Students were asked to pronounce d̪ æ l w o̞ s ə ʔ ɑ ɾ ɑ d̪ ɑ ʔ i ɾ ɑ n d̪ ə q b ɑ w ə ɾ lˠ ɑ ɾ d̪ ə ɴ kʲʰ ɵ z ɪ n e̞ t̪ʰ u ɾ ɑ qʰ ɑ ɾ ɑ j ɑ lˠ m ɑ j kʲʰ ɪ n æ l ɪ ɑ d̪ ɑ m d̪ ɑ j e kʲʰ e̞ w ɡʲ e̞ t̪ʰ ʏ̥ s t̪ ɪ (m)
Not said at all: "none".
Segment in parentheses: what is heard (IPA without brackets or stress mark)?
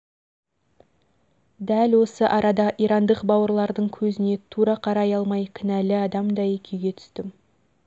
m